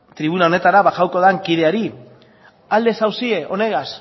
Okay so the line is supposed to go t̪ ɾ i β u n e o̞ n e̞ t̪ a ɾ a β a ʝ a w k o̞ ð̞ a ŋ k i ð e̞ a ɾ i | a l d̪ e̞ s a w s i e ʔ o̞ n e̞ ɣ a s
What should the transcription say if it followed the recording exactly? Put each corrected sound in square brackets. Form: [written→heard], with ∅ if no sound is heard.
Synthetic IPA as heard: t̪ ɾ i β u n [e→a] o̞ n e̞ t̪ a ɾ a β a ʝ a w k o̞ ð̞ a ŋ k i ð e̞ a ɾ i | a l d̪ e̞ s a w s i e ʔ o̞ n e̞ ɣ a s